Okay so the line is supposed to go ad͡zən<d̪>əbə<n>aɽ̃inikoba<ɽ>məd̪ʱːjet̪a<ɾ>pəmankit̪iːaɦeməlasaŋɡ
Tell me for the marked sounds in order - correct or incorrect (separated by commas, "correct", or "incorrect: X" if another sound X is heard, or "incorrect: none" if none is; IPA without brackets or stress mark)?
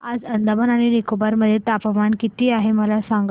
correct, correct, incorrect: ɾ, incorrect: none